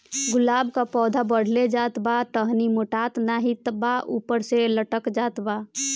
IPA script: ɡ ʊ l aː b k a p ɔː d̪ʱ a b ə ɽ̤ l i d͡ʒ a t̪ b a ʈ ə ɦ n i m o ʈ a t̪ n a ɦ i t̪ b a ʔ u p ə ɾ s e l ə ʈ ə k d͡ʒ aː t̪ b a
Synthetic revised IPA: ɡ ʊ l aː b k a p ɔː d̪ʱ a b ə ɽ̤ l e d͡ʒ a t̪ b a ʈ ə ɦ n i m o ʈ a t̪ n a ɦ i t̪ b a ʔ u p ə ɾ s e l ə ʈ ə k d͡ʒ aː t̪ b a